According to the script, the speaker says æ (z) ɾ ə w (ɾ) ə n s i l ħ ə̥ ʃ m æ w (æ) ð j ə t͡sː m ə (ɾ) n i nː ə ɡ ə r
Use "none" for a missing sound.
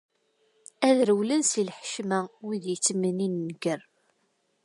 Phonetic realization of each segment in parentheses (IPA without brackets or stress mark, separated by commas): ð, l, i, none